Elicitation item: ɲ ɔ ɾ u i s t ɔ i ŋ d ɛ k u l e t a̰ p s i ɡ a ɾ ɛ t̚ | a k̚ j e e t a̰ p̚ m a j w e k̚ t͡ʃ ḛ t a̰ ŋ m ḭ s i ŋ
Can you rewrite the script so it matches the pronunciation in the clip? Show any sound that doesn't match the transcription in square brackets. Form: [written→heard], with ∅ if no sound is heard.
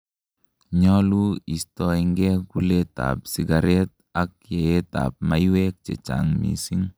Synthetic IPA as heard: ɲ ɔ [ɾ→l] u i s t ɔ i ŋ [d→ɡ] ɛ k u l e t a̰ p s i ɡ a ɾ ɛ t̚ | a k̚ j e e t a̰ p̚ m a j w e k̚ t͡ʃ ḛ [t→t͡ʃ] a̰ ŋ m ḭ s i ŋ